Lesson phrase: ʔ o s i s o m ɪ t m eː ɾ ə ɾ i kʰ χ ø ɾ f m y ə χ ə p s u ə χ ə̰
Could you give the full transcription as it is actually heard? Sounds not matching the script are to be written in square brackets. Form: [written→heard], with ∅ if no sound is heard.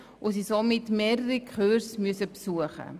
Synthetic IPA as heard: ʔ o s i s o m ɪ t m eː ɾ ə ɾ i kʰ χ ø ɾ [f→s] m y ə [χ→s] ə p s u ə χ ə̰